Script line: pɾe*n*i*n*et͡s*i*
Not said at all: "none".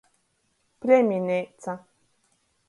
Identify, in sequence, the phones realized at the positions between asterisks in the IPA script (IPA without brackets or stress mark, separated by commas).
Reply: m, n, a